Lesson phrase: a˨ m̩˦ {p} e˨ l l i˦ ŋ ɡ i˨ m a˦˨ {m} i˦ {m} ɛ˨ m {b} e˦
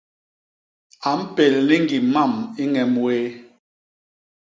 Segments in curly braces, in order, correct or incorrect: correct, correct, incorrect: ŋ, incorrect: w

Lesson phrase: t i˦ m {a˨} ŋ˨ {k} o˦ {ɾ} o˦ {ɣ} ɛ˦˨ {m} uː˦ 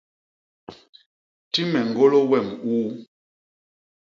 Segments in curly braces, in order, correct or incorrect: incorrect: ɛ˨, incorrect: ɡ, incorrect: l, incorrect: w, correct

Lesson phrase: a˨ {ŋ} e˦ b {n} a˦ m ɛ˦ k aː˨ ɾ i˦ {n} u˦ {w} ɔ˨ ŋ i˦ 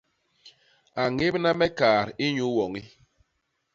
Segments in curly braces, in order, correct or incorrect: correct, correct, incorrect: ɲ, correct

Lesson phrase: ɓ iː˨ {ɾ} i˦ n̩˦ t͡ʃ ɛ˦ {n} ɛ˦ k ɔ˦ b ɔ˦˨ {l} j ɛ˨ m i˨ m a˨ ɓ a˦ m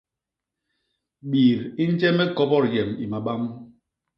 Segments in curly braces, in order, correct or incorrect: correct, incorrect: m, incorrect: ɾ

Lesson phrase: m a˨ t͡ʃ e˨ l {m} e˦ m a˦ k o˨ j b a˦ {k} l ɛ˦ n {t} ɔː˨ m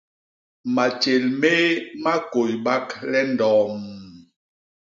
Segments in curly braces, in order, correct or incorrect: correct, correct, incorrect: d

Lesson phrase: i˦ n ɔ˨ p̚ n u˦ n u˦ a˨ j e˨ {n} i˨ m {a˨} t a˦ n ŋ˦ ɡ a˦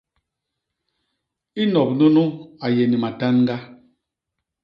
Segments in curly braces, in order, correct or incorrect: correct, correct

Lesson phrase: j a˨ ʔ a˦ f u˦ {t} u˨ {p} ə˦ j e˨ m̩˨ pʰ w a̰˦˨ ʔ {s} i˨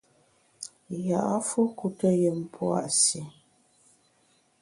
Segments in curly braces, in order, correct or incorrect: incorrect: k, incorrect: t, correct

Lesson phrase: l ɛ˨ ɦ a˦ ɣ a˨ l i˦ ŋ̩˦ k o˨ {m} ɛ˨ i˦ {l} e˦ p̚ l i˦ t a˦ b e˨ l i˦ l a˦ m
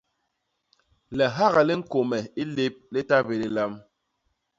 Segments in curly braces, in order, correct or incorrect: correct, correct

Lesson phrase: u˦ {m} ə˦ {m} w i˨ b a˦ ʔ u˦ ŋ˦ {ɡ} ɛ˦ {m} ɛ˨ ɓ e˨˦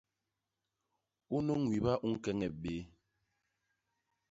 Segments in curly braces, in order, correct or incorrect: incorrect: n, incorrect: ŋ, incorrect: k, incorrect: ŋ

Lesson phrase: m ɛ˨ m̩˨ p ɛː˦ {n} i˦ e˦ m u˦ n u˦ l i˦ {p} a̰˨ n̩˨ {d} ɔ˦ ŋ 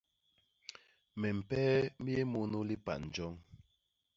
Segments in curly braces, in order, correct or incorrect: incorrect: m, correct, incorrect: d͡ʒ

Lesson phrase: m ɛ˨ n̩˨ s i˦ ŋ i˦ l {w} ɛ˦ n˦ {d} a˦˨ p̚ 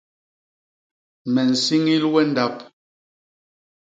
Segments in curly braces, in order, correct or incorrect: correct, correct

